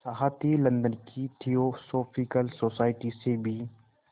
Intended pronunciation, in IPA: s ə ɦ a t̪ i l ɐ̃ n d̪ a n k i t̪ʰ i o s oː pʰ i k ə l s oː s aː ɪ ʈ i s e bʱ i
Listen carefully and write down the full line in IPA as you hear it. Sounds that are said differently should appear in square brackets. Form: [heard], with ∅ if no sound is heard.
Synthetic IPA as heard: s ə ɦ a t̪ i l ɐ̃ n d̪ [ə] n k i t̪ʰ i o s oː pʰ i k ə l s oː s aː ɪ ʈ i s e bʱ i